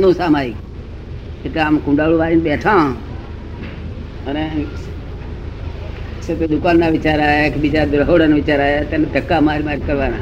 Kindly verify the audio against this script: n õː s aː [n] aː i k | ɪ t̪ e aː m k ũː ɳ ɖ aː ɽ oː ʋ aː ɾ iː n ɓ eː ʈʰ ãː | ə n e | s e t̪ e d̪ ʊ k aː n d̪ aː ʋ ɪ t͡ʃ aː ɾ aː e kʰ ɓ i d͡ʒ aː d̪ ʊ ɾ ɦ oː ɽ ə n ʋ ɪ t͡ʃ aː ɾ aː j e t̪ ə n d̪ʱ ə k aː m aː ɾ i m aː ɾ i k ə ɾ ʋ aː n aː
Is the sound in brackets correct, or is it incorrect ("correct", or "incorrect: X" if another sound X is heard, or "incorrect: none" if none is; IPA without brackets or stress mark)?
incorrect: m